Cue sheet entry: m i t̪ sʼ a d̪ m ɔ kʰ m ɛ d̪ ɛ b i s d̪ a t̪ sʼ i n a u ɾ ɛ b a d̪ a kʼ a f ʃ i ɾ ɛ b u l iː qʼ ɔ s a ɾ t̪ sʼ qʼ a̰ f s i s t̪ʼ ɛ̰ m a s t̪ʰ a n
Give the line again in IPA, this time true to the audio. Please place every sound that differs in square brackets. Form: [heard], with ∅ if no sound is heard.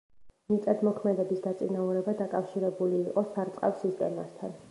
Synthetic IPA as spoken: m i t̪ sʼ a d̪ m ɔ kʰ m ɛ d̪ ɛ b i s d̪ a t̪ sʼ i n a u ɾ ɛ b a d̪ a kʼ a f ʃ i ɾ ɛ b u l iː qʼ ɔ s a ɾ t̪ sʼ qʼ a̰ f s i s t̪ʼ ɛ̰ m a s t̪ʰ a n